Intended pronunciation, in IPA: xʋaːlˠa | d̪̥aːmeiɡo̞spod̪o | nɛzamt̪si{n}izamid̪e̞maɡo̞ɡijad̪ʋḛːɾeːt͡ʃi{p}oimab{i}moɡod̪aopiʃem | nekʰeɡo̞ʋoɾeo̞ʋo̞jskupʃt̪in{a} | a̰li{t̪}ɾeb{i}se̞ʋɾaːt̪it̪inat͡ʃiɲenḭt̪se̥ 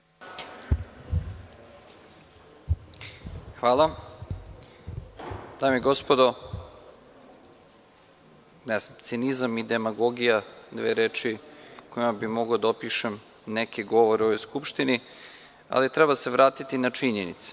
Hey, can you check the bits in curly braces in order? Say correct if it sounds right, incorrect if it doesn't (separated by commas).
correct, incorrect, correct, incorrect, correct, incorrect